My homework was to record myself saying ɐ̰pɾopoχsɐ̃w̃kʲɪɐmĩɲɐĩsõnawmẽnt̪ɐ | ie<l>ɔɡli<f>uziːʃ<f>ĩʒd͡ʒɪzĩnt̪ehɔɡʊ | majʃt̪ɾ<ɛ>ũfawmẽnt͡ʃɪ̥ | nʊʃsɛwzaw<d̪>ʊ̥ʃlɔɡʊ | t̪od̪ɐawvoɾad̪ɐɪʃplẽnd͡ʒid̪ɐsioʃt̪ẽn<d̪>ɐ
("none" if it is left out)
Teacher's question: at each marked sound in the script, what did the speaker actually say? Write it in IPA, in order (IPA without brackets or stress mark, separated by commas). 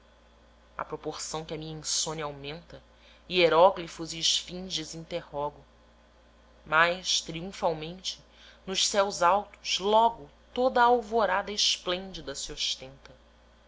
ɾ, f, f, i, t̪, t̪